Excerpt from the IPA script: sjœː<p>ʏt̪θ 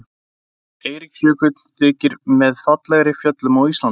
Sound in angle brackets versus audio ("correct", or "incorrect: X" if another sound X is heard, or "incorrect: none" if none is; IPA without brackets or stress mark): incorrect: k